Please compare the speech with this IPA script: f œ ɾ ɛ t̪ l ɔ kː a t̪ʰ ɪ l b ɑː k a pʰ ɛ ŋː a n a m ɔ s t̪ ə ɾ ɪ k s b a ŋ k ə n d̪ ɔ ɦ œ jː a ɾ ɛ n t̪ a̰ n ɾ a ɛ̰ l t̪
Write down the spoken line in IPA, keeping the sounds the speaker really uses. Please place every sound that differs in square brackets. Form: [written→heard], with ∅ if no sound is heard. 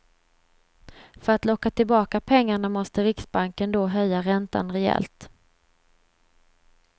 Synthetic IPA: f œ ɾ [ɛ→a] t̪ l ɔ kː a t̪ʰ ɪ l b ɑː k a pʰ ɛ ŋː a [n→ɳ] a m ɔ s t̪ ə ɾ ɪ k s b a ŋ k ə n d̪ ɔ ɦ œ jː a ɾ ɛ n t̪ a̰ n ɾ [a→ɛ] ɛ̰ l t̪